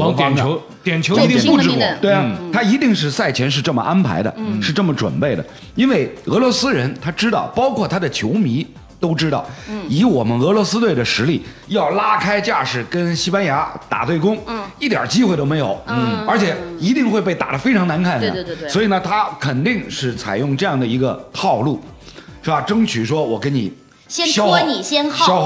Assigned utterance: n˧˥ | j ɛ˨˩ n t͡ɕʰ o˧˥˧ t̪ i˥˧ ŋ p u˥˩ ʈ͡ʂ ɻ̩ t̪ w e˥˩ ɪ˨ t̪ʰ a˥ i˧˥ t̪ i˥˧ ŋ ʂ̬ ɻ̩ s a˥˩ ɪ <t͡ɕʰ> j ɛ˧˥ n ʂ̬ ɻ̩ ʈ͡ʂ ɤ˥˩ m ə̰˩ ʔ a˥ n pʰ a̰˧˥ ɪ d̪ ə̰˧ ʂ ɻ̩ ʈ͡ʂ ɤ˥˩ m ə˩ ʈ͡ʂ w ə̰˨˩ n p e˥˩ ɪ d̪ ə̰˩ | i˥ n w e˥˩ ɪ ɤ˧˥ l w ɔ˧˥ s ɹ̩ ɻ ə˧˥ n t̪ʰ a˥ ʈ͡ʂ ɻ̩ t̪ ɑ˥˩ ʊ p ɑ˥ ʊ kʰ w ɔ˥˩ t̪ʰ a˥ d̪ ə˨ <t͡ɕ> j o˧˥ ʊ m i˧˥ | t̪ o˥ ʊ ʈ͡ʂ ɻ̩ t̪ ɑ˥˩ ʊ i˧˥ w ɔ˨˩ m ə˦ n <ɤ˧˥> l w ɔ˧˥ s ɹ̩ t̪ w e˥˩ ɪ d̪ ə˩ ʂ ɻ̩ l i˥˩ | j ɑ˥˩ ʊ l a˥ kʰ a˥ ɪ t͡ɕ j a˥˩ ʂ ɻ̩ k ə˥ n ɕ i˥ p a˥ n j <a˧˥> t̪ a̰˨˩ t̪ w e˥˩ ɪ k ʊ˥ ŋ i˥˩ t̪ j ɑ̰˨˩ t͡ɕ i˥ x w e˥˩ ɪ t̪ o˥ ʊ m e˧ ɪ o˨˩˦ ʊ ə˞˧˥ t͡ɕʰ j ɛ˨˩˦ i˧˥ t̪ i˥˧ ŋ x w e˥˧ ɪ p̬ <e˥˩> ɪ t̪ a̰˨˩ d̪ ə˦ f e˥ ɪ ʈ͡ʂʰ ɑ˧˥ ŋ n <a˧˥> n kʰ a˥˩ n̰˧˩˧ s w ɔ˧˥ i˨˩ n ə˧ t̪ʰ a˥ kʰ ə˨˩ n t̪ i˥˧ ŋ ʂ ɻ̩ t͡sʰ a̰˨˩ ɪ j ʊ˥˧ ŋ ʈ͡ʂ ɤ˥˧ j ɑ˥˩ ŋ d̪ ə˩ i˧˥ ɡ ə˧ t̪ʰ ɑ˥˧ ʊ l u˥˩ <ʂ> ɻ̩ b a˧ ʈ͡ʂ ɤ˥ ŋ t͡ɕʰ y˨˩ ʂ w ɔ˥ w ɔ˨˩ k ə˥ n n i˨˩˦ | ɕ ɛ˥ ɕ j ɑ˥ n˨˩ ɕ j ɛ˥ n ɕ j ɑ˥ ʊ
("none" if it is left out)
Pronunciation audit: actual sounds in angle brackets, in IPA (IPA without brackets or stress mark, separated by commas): t͡ɕʰ, t͡ɕʰ, ɤ˧˥, a˧˥, e˥˩, a˧˥, ʂ